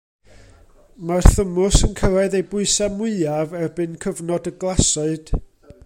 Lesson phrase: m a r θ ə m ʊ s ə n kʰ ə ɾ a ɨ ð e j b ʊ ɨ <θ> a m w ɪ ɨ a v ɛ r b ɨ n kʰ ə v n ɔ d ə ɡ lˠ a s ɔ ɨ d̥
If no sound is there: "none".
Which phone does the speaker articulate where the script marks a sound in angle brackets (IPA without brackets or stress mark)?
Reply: s